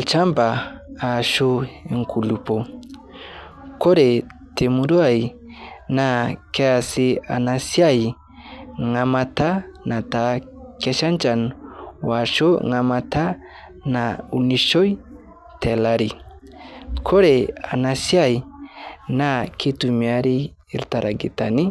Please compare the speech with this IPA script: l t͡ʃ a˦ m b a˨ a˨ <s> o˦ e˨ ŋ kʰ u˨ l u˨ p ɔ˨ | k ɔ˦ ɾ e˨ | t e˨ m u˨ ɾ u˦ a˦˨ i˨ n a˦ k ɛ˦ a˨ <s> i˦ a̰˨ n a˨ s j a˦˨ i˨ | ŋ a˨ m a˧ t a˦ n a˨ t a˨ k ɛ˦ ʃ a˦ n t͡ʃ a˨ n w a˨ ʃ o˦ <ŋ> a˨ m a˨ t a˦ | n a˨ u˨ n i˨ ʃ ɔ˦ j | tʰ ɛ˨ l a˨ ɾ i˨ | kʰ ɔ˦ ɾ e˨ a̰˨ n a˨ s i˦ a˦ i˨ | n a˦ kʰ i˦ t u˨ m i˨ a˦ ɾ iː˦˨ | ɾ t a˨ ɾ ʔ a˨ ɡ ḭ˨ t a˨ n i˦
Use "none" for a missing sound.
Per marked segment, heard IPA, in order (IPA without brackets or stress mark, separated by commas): ʃ, s, ŋ